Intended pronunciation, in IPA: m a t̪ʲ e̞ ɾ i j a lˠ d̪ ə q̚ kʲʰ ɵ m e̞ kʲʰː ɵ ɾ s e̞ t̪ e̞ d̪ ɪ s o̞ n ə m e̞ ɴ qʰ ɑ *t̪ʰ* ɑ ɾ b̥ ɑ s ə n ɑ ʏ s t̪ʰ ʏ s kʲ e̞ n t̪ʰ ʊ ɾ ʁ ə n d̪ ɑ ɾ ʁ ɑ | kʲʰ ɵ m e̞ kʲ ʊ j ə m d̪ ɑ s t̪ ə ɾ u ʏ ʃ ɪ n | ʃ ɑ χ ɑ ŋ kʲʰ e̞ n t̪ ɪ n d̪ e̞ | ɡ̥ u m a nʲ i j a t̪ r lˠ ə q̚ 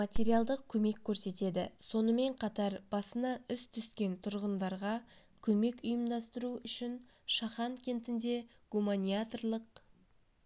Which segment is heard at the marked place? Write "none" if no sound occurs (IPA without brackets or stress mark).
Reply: t̪